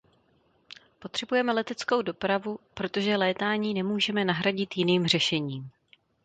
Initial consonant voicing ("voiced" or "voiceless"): voiceless